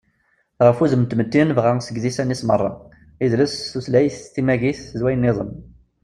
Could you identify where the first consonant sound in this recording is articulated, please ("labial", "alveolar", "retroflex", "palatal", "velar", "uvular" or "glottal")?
uvular